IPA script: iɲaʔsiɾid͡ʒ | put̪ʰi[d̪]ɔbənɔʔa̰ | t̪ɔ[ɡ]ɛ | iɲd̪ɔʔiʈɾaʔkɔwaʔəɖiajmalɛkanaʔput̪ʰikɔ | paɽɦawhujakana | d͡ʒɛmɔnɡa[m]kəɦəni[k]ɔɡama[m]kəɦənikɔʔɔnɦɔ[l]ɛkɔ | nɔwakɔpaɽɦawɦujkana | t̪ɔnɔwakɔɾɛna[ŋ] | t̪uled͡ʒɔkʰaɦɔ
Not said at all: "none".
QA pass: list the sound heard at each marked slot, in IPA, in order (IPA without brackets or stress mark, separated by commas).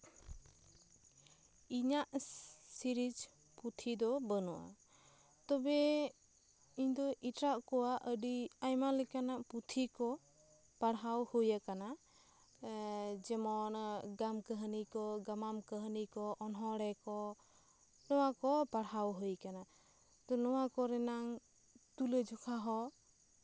d̪, b, m, k, m, ɽ, ŋ